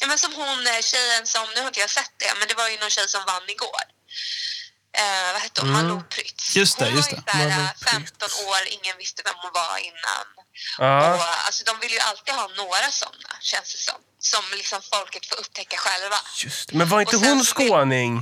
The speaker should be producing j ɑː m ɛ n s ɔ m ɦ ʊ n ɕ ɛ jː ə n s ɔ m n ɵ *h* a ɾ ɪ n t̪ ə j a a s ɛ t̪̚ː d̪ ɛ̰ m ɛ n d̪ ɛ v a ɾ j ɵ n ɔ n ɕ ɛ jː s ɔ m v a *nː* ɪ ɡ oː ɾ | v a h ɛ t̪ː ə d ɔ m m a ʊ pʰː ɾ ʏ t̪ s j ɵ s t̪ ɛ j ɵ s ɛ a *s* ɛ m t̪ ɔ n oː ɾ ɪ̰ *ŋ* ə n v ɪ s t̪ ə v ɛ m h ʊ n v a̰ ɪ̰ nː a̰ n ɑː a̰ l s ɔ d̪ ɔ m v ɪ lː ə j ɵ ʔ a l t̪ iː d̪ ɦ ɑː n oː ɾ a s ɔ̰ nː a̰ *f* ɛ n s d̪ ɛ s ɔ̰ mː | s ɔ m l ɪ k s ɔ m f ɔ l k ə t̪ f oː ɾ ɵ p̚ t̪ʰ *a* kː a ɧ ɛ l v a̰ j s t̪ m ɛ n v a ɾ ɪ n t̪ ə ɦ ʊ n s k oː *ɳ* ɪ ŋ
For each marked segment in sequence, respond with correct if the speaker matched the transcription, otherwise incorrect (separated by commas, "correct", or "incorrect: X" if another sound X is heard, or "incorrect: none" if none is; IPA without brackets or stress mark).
correct, correct, incorrect: f, incorrect: ŋː, incorrect: ɕ, incorrect: ɛ, incorrect: n